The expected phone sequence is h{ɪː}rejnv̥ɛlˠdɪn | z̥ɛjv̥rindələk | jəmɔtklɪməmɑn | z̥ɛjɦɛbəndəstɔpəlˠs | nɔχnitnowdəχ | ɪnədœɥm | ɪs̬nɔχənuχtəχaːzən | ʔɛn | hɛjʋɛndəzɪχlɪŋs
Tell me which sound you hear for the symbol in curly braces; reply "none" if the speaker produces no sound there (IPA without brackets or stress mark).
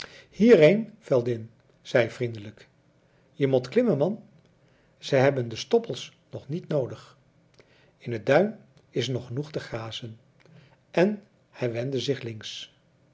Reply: iː